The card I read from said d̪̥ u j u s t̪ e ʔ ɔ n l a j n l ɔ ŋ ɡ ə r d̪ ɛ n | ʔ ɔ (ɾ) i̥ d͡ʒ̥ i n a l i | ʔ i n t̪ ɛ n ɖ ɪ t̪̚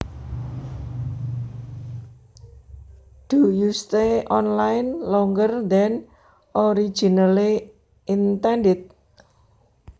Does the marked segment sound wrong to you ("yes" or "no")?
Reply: no